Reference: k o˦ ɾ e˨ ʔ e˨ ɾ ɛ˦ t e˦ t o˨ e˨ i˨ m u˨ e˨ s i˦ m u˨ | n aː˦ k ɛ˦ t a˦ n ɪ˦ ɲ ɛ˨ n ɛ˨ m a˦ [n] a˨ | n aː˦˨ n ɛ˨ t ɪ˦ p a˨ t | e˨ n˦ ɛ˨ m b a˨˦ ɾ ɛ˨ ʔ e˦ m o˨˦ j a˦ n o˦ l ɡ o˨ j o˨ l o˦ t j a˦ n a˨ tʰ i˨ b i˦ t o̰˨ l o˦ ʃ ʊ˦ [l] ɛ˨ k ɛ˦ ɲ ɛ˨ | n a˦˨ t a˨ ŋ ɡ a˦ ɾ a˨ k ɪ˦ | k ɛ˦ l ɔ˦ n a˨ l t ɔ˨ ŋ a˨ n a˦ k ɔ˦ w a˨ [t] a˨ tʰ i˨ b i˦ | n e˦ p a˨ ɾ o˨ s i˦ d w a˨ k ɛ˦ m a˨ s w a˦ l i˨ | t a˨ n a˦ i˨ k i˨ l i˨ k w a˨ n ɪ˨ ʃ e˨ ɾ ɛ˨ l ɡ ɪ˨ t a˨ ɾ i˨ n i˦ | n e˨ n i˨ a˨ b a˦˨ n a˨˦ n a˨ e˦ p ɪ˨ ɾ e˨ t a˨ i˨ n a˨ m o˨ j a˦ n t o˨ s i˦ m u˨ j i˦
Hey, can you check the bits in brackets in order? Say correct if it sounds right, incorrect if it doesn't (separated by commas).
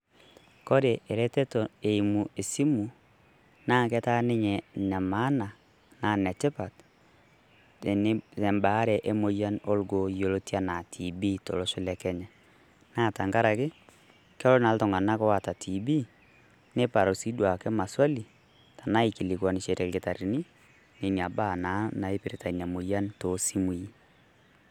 correct, correct, correct